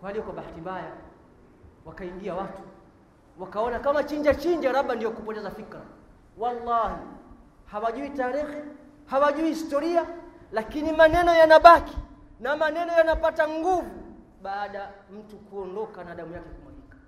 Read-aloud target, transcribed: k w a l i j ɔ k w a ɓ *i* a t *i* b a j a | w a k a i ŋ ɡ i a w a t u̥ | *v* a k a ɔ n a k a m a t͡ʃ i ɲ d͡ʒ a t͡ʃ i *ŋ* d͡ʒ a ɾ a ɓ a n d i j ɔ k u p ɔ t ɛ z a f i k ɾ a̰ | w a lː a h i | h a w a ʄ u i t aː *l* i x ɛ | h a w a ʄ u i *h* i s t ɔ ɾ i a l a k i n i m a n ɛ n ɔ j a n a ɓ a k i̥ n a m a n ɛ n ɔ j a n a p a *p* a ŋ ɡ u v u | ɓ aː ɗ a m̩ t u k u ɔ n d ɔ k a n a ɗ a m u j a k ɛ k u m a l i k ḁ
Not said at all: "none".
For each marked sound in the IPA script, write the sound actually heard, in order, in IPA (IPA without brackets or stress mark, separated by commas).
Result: a, i, w, ɲ, ɾ, h, t